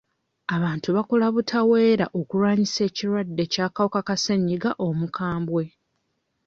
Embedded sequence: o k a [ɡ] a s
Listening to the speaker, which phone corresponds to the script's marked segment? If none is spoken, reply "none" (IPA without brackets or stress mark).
k